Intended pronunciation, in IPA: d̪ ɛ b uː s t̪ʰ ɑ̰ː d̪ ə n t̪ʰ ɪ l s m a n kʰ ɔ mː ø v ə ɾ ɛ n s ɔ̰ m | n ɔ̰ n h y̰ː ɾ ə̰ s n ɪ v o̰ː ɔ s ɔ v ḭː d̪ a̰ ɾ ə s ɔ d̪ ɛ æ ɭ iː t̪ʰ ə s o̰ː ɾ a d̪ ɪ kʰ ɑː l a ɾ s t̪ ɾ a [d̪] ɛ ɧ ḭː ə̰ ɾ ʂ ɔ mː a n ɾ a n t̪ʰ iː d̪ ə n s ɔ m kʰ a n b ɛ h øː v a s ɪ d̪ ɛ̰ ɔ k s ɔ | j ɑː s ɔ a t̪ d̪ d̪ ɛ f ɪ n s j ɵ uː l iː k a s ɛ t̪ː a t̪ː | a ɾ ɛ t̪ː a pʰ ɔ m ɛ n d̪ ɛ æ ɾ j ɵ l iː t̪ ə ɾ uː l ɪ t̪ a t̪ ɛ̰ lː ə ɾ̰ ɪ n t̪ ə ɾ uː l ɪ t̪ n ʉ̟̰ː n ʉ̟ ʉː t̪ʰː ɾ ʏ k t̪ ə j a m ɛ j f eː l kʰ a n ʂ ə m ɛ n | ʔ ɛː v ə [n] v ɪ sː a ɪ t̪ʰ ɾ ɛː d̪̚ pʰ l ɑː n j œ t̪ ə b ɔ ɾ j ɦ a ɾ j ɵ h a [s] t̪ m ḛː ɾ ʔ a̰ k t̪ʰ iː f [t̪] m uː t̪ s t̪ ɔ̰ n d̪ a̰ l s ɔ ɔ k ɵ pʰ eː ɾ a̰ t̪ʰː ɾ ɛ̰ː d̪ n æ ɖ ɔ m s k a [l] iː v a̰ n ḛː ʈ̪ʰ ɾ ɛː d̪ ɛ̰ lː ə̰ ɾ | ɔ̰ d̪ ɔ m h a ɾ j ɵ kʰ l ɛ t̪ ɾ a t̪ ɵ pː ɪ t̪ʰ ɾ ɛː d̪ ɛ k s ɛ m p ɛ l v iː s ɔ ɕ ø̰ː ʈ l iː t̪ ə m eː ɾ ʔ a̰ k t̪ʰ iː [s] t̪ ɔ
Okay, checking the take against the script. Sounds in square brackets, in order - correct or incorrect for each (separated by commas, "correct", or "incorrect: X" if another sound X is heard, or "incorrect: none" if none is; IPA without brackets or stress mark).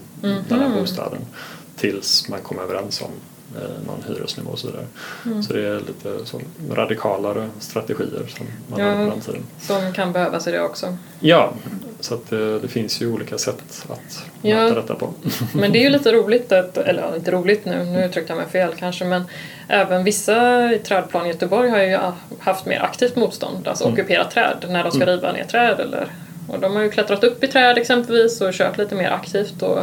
incorrect: t̪, correct, incorrect: f, correct, incorrect: ɾ, incorrect: f